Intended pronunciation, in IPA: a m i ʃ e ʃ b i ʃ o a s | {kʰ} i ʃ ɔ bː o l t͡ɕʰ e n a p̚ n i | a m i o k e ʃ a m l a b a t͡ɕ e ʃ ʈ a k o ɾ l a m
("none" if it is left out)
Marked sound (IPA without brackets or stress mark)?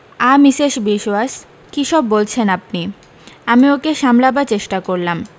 k